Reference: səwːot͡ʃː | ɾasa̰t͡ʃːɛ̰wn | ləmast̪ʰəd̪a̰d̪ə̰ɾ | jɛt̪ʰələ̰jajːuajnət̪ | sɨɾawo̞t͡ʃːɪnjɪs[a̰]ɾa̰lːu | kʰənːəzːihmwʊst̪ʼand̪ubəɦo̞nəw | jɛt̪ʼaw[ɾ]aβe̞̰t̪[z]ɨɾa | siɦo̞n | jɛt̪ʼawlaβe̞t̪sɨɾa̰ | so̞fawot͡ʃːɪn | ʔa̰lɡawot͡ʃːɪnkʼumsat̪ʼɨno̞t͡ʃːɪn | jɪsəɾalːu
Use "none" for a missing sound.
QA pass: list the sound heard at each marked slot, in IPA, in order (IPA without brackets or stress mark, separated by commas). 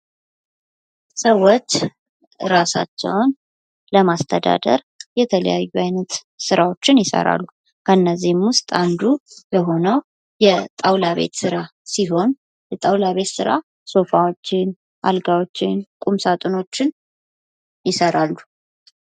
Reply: ə̰, l, s